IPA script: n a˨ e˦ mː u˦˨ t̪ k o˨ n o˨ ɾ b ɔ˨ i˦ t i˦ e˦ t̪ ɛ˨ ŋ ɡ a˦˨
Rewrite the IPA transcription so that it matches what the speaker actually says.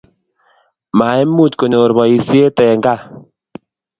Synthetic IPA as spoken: m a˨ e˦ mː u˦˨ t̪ k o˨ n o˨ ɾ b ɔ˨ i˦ s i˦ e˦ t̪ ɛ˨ ŋ ɡ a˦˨

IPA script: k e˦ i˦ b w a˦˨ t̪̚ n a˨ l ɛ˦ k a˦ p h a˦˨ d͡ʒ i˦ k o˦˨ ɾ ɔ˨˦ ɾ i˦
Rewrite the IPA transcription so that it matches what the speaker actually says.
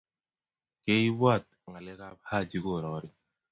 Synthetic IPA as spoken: k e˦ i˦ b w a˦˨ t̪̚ ŋ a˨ l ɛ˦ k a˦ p h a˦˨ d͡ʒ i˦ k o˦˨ ɾ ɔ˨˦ ɾ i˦

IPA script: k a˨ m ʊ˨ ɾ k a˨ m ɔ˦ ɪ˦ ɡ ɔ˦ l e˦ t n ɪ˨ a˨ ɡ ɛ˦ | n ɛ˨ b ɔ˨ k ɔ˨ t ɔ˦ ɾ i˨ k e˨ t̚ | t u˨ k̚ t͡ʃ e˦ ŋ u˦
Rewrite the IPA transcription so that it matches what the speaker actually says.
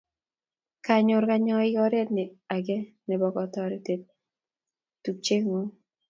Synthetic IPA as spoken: k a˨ ɲ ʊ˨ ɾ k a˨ ɲ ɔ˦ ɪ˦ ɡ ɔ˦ ɾ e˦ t n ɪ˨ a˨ ɡ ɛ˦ | n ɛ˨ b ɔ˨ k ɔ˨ t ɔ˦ ɾ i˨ t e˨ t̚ | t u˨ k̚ t͡ʃ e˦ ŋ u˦

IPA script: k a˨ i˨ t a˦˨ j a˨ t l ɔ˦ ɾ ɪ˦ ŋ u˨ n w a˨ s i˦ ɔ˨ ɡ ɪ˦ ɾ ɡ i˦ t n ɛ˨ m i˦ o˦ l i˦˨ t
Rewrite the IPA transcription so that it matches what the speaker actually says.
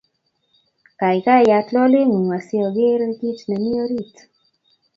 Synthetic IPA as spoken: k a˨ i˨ k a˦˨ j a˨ t l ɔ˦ l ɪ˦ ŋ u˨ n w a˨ s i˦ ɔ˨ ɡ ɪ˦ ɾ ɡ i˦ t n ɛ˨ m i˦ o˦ ɾ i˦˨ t

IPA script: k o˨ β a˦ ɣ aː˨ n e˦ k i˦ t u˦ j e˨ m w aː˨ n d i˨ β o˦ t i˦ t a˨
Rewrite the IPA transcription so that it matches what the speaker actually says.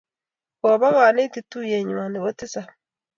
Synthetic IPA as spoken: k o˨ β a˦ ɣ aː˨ n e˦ t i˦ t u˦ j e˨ ɲ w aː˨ n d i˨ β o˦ t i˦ s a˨

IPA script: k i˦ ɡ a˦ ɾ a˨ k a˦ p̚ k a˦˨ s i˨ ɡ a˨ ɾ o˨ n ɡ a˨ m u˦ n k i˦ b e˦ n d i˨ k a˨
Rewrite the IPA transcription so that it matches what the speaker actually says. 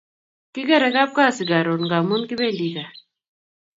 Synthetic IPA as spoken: k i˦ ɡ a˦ ɾ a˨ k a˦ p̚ k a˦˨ s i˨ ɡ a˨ ɾ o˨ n ɡ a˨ m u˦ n k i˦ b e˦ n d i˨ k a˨

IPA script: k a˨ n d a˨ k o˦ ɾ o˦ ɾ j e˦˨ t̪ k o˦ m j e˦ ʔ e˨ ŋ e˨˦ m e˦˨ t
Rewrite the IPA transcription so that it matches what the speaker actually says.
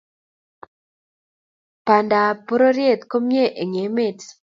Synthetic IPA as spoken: p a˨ n d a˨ p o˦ ɾ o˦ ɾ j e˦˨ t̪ k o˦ m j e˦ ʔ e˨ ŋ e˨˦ m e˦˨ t

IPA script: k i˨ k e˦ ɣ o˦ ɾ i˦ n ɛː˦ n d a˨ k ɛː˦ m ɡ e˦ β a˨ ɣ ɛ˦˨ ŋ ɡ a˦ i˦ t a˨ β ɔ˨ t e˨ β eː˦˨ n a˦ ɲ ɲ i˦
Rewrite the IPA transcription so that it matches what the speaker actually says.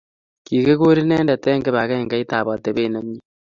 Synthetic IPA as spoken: k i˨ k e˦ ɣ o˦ ɾ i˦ n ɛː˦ n d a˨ t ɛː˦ ŋ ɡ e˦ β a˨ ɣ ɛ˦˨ ŋ ɡ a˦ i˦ t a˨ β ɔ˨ t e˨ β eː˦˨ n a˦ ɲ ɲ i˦

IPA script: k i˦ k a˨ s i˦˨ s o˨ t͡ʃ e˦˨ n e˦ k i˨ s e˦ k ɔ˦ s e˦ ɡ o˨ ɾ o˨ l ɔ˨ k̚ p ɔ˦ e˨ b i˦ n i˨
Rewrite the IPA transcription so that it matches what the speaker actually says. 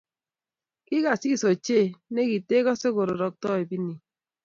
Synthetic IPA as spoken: k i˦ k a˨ s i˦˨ s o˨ t͡ʃ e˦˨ n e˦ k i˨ t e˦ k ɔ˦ s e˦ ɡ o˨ ɾ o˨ ɾ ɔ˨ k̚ t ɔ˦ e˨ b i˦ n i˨

